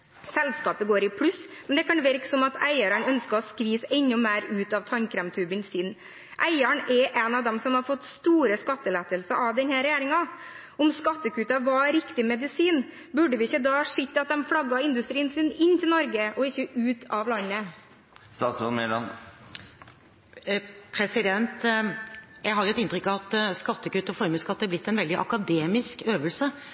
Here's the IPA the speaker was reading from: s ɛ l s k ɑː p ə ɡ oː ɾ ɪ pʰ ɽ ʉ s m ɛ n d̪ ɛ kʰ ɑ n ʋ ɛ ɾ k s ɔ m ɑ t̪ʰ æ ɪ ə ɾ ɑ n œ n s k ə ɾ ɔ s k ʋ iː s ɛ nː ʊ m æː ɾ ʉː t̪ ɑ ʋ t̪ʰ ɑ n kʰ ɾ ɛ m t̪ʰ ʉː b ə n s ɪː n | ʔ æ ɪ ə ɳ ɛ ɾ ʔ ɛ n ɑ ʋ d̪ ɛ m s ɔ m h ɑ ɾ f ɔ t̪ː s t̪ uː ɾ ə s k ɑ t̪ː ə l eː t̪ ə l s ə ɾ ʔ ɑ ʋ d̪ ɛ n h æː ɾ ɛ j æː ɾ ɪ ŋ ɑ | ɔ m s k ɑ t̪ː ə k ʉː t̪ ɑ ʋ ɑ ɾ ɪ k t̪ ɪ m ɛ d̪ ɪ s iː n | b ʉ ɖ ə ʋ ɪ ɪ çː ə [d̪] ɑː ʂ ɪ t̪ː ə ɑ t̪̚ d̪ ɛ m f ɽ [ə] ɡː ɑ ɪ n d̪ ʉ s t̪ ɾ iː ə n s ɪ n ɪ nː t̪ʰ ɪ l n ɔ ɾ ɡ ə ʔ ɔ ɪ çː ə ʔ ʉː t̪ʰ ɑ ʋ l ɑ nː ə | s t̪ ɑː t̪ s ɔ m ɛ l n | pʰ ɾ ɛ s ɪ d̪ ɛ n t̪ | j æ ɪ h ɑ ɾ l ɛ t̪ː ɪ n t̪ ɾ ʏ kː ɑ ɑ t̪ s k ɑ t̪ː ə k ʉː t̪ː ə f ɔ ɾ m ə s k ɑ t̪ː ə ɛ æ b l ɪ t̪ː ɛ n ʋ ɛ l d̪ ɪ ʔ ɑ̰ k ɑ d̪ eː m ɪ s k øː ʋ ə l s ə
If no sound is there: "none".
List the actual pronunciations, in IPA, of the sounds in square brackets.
d̪, ɑ

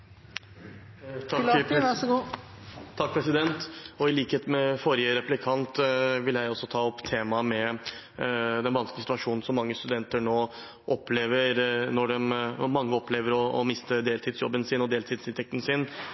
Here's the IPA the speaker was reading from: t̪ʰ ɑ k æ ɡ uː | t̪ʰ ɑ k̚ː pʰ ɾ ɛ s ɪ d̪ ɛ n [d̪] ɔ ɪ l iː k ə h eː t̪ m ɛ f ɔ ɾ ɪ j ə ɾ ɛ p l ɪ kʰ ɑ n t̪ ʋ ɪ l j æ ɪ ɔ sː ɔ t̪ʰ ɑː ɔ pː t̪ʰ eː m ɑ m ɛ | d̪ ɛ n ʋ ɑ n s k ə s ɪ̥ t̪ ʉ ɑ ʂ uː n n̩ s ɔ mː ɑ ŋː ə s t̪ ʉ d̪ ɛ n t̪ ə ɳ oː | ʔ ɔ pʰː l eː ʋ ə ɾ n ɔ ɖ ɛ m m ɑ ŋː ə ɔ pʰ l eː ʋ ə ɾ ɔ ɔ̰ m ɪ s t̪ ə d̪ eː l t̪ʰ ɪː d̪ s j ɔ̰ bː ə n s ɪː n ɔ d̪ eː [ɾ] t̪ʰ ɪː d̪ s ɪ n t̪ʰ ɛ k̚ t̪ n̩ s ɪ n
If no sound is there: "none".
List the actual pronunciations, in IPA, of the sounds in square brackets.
t̪, l

